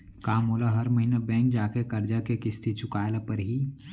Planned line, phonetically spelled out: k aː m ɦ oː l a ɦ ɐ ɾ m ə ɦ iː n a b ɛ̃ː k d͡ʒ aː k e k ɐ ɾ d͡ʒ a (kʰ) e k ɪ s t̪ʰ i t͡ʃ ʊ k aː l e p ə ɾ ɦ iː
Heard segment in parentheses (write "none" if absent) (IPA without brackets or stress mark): k